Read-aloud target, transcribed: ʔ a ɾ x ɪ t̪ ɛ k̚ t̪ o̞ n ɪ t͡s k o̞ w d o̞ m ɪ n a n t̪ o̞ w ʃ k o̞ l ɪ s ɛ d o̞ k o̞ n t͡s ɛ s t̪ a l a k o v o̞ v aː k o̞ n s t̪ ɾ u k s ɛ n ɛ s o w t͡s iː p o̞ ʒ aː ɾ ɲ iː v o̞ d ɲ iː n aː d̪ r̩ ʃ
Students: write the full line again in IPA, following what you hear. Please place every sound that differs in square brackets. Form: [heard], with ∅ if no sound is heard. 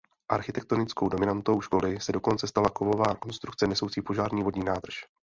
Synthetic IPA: ʔ a ɾ x ɪ t̪ ɛ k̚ t̪ o̞ n ɪ t͡s k o̞ w d o̞ m ɪ n a n t̪ o̞ w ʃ k o̞ l ɪ s ɛ d o̞ k o̞ n t͡s ɛ s t̪ a l a k o v o̞ v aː k o̞ n s t̪ ɾ u k [t͡s] ɛ n ɛ s o w t͡s iː p o̞ ʒ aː ɾ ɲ iː v o̞ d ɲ iː n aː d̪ r̩ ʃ